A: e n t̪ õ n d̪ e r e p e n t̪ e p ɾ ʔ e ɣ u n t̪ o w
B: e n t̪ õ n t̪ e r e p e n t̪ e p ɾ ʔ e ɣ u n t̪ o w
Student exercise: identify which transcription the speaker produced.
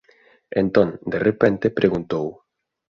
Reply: A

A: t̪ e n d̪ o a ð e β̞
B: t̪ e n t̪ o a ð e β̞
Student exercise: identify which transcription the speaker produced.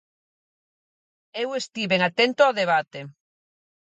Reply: B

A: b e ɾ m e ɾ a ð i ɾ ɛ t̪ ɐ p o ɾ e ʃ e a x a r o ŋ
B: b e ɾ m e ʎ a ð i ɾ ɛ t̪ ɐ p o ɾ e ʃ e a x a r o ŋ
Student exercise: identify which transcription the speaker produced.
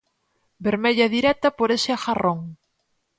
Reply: B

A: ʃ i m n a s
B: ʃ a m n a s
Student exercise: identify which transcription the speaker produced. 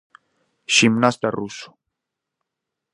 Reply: A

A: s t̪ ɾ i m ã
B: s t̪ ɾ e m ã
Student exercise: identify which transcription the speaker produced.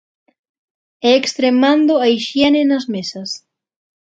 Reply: B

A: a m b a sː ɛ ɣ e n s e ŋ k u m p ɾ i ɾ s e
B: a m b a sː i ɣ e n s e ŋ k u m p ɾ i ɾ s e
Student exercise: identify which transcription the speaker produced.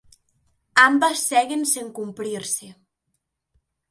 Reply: A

